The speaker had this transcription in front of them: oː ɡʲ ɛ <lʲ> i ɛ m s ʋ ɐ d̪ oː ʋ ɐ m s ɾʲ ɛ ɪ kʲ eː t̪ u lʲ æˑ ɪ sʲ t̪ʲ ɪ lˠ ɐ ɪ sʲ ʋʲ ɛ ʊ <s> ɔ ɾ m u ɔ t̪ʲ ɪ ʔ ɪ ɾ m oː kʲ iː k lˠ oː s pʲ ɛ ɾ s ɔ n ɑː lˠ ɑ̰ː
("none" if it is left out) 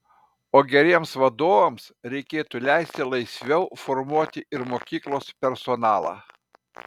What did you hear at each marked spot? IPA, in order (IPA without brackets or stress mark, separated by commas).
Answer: ɾʲ, f